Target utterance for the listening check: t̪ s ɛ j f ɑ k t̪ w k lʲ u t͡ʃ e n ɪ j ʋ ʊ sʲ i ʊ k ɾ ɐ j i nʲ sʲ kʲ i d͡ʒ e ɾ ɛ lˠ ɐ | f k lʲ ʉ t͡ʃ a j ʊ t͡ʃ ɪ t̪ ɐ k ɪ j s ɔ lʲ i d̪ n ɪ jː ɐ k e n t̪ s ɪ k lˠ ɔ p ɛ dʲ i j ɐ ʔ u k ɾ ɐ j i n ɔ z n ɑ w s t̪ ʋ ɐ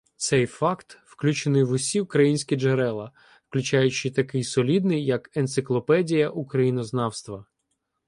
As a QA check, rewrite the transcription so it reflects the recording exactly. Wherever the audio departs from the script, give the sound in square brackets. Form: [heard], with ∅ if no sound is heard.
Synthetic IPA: t̪ s ɛ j f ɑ k t̪ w k lʲ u t͡ʃ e n ɪ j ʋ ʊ sʲ i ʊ k ɾ ɐ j i nʲ sʲ kʲ i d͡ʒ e ɾ ɛ lˠ ɐ | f k lʲ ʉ t͡ʃ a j ʊ t͡ʃ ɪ t̪ ɐ k ɪ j s ɔ lʲ i d̪ n ɪ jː ɐ k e n t̪ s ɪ k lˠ ɔ p ɛ dʲ i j ɐ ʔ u k ɾ ɐ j i n ɔ z n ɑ w s t̪ ʋ ɐ